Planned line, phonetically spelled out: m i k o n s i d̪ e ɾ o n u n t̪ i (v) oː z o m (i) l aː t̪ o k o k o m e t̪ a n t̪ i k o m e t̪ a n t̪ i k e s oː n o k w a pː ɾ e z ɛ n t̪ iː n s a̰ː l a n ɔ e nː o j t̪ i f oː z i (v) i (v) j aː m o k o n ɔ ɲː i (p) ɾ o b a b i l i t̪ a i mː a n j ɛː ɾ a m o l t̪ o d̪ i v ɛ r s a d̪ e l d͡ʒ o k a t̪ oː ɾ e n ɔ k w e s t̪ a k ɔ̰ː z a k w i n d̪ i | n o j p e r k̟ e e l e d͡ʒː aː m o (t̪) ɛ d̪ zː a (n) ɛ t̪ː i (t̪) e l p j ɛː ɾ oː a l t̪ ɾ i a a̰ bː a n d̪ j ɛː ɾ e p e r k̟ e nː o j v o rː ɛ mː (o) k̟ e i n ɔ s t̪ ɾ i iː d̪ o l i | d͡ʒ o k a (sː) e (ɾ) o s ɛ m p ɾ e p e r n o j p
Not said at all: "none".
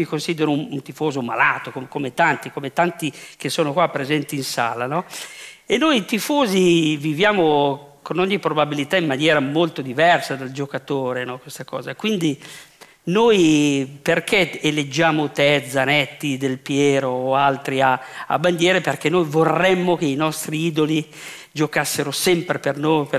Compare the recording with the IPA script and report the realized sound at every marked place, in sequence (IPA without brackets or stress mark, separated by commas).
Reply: f, a, v, v, p, t̪, n, d̪, o, sː, ɾ